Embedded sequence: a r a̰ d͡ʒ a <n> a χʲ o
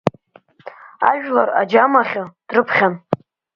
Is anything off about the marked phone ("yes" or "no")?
yes